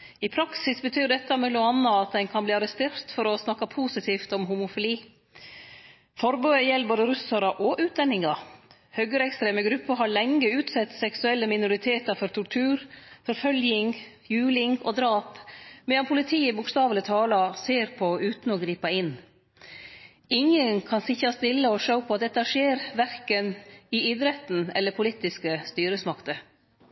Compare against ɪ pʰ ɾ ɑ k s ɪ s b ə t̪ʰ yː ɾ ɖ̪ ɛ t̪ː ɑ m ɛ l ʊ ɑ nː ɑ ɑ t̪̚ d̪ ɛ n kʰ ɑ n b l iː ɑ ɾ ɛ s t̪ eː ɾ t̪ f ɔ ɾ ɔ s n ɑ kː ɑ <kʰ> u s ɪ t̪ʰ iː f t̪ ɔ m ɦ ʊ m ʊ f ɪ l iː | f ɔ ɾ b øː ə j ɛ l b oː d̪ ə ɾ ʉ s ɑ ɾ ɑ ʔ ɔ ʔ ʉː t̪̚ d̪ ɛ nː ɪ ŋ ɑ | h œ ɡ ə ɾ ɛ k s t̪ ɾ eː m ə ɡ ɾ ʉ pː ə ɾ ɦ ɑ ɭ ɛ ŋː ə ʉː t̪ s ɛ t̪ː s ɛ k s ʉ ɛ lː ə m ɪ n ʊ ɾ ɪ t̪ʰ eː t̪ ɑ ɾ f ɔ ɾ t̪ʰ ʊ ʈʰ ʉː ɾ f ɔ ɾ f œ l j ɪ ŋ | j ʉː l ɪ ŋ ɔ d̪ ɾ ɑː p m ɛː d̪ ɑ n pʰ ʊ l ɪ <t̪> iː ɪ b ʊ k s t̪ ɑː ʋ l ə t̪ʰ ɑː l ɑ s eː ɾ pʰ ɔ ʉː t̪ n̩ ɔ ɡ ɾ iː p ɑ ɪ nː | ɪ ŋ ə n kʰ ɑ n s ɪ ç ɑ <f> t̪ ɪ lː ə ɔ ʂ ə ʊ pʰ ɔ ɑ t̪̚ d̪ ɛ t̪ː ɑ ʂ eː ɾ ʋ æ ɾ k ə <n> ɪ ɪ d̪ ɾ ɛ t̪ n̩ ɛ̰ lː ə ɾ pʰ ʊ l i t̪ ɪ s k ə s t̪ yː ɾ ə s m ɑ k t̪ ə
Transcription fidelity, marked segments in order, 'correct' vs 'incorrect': incorrect: pʰ, incorrect: t̪ʰ, incorrect: s, correct

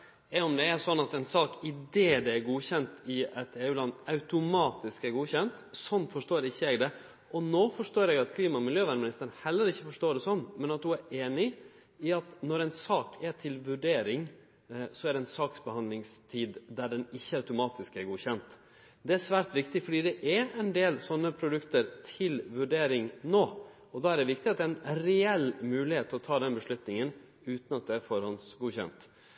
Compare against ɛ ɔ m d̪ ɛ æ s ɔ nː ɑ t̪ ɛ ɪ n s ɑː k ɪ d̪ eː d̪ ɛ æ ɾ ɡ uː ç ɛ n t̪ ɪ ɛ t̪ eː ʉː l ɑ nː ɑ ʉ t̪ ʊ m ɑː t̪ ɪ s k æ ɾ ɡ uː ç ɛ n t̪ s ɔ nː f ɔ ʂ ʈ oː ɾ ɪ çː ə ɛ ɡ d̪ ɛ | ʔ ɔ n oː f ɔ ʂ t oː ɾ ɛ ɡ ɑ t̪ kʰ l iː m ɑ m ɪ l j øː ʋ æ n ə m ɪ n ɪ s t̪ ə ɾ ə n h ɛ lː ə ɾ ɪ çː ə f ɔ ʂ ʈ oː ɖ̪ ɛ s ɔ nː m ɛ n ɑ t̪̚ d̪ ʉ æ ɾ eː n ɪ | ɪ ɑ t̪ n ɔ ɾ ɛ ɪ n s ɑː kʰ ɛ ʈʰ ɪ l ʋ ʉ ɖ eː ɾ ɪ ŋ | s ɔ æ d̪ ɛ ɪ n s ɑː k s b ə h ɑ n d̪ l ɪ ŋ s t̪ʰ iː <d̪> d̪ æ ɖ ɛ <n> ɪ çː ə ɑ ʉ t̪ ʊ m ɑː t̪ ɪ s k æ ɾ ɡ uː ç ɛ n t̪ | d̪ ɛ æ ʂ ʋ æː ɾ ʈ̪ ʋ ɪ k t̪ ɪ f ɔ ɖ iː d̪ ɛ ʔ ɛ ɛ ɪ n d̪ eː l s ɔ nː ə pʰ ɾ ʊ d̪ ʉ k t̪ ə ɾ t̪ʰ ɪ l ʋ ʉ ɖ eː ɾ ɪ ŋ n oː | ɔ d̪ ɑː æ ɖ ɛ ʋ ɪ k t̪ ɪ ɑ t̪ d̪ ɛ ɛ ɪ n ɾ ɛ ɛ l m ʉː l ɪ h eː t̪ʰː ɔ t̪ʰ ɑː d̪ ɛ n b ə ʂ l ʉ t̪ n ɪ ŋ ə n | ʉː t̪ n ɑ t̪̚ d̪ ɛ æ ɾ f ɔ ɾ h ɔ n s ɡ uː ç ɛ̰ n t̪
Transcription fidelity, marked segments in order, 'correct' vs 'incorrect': correct, correct

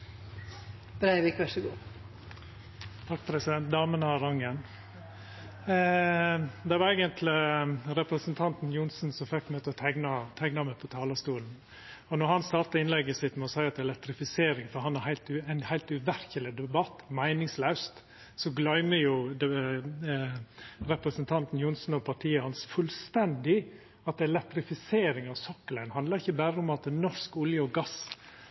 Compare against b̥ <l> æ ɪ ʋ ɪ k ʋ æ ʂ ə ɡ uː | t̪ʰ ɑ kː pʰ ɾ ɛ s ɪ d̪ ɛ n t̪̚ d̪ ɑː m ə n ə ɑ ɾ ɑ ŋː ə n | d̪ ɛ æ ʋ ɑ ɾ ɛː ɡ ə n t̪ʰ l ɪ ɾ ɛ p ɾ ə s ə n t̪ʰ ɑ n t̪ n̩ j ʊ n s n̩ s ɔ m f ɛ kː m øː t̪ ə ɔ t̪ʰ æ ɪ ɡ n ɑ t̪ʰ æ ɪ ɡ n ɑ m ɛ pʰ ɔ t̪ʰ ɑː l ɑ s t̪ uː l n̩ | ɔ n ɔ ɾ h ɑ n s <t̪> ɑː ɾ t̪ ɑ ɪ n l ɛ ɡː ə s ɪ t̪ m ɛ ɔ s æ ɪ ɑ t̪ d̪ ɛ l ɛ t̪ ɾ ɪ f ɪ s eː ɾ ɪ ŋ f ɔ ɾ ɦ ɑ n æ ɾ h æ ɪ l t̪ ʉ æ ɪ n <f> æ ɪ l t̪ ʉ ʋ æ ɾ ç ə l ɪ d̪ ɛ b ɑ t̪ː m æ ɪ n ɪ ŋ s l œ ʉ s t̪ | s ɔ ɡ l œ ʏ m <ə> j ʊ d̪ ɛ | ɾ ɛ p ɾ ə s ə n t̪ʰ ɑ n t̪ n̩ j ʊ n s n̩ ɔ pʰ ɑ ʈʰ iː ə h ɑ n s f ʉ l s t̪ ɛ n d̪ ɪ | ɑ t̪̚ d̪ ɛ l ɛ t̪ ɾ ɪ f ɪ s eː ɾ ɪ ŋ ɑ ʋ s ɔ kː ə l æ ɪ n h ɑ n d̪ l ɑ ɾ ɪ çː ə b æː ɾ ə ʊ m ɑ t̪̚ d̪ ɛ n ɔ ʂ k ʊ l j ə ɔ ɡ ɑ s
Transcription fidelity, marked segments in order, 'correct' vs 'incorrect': incorrect: ɾ, correct, incorrect: h, correct

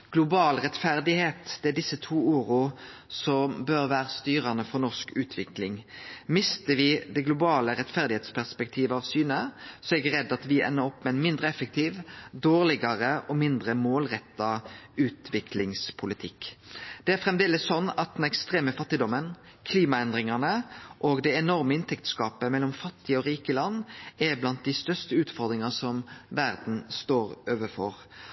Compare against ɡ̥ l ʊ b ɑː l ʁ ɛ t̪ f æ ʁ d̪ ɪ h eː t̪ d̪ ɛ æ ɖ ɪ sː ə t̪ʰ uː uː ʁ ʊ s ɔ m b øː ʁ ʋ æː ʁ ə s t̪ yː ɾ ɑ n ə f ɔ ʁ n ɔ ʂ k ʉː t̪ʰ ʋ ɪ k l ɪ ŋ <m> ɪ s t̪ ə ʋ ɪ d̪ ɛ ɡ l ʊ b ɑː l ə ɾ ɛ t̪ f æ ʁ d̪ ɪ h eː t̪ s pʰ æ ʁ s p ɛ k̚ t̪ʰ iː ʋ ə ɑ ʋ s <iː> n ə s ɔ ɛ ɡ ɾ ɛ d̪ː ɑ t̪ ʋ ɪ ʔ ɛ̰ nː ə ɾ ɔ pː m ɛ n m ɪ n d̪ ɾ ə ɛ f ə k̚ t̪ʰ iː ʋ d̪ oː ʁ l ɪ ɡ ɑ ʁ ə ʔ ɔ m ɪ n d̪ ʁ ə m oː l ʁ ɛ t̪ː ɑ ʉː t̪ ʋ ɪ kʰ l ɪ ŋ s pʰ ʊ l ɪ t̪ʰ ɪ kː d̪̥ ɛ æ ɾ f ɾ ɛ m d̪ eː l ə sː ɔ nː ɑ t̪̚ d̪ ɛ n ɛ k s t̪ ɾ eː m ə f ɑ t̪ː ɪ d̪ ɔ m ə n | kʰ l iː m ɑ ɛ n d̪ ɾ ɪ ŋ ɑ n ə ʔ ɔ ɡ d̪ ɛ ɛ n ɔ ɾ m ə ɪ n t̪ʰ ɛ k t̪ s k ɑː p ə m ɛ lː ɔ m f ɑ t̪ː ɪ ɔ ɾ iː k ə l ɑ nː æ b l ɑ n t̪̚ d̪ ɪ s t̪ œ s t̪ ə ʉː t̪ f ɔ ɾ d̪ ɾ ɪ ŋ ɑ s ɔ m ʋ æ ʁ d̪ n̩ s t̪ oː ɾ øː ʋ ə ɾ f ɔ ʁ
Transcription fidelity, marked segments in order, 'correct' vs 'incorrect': correct, incorrect: yː

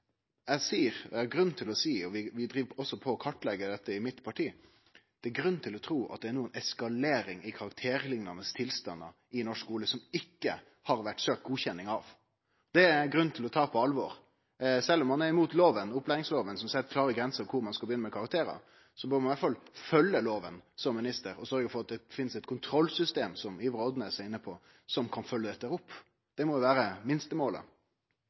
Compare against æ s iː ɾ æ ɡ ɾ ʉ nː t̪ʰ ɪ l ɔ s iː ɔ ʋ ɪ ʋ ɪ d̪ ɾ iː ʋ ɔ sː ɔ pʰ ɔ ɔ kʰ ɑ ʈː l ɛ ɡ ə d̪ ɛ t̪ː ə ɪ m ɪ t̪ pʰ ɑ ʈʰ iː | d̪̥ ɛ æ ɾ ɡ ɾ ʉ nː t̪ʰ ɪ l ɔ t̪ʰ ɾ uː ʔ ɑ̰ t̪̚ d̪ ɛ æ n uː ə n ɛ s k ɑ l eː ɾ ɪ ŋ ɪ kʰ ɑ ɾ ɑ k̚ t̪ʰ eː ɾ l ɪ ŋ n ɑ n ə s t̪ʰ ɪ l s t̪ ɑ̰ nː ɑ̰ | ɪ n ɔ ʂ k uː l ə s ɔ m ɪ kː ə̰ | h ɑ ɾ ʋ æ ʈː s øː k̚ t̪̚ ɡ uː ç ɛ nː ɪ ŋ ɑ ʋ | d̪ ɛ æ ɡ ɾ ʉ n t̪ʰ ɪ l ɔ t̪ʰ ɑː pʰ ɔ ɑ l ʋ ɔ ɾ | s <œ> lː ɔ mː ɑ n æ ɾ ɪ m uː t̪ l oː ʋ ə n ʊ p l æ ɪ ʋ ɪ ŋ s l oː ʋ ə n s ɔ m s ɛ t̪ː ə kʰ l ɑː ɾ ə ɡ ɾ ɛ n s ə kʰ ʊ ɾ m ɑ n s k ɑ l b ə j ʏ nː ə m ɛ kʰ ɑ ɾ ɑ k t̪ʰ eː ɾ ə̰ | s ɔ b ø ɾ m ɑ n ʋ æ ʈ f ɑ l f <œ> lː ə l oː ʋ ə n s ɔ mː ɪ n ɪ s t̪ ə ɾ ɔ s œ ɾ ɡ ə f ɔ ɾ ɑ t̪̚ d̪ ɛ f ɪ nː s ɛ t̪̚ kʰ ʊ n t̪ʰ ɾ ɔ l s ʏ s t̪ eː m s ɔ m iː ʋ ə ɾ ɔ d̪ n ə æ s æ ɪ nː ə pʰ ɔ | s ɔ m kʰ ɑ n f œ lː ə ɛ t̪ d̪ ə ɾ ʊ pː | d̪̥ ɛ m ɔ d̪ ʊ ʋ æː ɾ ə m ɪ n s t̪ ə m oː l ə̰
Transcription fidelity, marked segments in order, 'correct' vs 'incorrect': incorrect: ɛ, correct

